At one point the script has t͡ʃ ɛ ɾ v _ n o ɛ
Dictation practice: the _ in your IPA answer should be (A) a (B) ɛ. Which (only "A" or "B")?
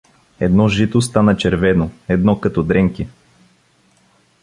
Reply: B